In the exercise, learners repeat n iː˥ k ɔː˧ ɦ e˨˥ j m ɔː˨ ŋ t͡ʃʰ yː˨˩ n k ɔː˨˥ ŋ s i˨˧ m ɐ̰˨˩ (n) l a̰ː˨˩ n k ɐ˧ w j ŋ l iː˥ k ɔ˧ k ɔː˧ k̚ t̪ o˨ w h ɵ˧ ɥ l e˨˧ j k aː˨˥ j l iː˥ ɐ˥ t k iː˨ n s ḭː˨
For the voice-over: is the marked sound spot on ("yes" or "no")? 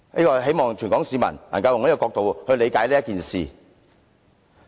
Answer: yes